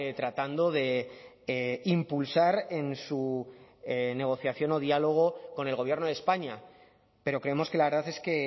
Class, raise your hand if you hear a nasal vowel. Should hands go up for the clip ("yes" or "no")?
no